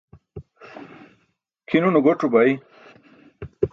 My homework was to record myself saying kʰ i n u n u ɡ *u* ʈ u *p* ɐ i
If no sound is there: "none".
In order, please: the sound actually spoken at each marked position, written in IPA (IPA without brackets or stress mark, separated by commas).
o, b